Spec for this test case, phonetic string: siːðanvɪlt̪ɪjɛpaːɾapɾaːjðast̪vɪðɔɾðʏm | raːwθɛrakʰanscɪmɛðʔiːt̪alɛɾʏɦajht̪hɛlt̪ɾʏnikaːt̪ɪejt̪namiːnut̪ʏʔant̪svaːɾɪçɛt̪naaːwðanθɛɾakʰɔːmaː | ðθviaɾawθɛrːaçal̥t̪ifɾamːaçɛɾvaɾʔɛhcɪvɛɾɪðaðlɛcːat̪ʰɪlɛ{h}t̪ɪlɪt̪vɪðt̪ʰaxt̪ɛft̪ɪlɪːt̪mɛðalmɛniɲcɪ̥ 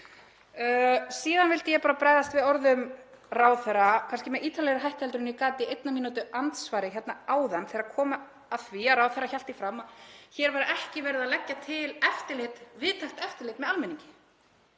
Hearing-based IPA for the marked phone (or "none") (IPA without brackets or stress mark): f